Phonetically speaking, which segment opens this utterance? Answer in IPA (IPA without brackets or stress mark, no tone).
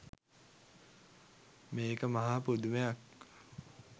m